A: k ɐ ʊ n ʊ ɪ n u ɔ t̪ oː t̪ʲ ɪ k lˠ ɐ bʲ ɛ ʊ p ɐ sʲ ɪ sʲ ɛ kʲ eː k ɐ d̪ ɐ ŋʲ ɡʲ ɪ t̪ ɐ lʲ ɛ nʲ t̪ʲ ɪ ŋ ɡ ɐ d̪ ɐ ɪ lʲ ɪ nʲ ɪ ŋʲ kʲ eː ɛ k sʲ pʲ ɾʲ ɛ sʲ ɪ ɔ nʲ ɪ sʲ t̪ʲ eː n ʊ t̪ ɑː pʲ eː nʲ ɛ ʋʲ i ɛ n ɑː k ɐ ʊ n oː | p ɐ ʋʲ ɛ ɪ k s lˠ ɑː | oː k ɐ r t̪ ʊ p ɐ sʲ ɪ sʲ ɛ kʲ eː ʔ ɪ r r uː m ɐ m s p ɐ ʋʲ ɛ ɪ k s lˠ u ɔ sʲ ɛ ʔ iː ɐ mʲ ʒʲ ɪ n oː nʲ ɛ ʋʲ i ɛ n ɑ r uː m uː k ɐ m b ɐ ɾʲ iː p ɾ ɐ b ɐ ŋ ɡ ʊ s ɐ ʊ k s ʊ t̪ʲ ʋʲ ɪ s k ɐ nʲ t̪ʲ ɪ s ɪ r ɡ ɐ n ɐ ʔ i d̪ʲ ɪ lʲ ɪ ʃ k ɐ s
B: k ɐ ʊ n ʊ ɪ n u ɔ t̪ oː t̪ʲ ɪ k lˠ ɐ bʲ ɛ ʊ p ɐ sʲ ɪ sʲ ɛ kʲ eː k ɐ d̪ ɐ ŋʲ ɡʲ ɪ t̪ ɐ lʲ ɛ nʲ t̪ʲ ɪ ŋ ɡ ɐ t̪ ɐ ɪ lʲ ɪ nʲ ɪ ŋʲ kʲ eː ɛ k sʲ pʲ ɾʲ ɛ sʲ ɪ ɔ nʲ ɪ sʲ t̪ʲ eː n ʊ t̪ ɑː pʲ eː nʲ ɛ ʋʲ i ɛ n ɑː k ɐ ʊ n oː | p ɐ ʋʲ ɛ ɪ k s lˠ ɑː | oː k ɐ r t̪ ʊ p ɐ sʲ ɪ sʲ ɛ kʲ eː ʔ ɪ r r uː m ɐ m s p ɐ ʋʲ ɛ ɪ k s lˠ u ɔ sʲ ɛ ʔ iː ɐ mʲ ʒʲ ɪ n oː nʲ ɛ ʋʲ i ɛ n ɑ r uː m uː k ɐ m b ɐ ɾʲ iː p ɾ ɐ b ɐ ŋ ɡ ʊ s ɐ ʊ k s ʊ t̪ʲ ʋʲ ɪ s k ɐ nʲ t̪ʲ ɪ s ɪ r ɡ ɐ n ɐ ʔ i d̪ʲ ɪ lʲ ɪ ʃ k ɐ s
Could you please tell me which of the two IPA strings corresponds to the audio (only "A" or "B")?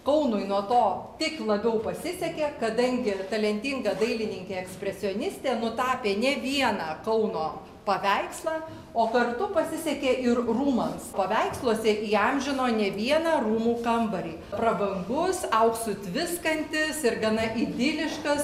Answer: A